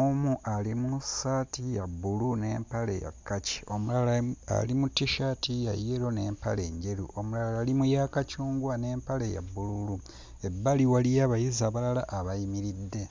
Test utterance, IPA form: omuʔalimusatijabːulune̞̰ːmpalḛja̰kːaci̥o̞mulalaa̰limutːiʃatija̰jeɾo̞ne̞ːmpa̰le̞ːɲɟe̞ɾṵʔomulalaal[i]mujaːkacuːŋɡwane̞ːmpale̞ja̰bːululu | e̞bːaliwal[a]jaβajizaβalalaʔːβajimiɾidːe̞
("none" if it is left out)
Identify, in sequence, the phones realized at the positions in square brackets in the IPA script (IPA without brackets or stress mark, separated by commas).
i, i